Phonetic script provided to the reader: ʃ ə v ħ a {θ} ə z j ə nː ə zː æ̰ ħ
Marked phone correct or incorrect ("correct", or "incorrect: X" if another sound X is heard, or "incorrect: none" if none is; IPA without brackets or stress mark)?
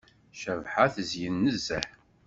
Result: correct